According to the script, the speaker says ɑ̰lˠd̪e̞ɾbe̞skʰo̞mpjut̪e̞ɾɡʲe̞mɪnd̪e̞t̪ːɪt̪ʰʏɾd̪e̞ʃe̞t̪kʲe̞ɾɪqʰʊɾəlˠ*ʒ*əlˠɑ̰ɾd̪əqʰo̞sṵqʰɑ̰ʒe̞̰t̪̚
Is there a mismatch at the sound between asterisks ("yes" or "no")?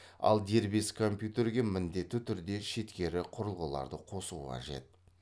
yes